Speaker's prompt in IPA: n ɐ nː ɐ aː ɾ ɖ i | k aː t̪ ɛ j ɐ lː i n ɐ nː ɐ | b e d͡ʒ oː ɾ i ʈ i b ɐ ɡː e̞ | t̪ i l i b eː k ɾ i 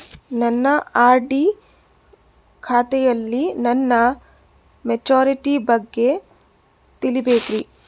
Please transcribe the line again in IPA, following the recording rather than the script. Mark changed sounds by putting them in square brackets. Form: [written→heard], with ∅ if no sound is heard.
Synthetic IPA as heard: n ɐ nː ɐ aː ɾ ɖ i | [k→kʰ] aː t̪ ɛ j ɐ lː i n ɐ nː ɐ | [b→m] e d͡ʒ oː ɾ i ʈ i b ɐ ɡː e̞ | t̪ i l i b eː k ɾ i